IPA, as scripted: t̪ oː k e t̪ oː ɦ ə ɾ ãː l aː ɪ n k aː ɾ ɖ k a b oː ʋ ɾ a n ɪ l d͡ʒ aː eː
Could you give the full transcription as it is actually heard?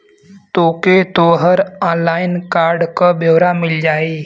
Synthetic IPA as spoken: t̪ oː k e t̪ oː ɦ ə ɾ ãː l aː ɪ n k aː ɾ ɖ k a b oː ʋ ɾ a m ɪ l d͡ʒ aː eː